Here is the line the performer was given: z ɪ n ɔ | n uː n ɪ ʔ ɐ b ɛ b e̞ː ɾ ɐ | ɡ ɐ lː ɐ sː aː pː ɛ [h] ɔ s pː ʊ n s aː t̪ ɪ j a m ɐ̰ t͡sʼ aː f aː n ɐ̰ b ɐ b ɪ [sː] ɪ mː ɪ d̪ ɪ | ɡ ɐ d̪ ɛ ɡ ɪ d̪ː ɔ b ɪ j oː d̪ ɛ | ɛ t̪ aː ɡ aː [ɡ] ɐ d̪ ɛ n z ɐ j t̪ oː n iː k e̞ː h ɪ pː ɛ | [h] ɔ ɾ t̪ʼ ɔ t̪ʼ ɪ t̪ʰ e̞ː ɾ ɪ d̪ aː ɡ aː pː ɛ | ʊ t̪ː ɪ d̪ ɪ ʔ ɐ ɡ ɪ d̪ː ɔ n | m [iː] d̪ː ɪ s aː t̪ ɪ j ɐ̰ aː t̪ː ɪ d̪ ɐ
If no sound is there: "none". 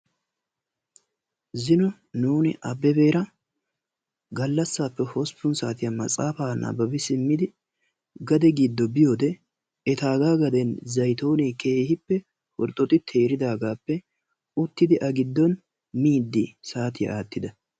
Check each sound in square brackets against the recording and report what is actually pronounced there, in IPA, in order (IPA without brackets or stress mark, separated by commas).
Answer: h, s, ɡ, h, iː